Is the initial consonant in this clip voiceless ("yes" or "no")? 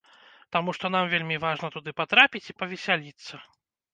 yes